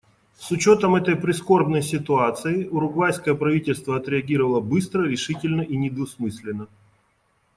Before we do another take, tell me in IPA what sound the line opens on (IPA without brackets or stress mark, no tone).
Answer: s